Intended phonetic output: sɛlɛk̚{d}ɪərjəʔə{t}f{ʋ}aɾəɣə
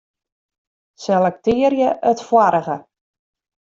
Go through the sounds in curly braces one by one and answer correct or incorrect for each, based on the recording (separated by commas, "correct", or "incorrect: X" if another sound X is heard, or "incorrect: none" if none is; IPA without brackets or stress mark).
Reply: incorrect: t, correct, incorrect: w